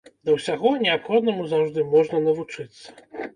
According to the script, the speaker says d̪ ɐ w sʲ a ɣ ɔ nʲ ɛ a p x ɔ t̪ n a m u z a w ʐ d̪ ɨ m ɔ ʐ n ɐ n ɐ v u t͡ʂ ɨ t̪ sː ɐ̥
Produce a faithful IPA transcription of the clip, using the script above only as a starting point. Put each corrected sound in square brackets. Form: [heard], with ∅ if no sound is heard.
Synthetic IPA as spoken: d̪ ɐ w sʲ a ɣ ɔ nʲ ɛ a p x ɔ [d̪] n [ɐ] m u z a w ʐ d̪ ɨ m ɔ ʐ n ɐ n ɐ v u t͡ʂ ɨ t̪ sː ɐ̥